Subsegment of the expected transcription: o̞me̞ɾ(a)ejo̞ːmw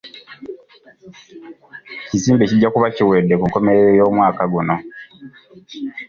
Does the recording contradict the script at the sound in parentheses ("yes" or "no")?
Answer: yes